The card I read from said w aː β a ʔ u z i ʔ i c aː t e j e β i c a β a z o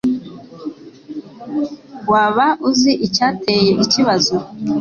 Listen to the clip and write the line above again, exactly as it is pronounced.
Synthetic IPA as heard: w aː β a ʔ u z i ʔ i c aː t e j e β i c i β a z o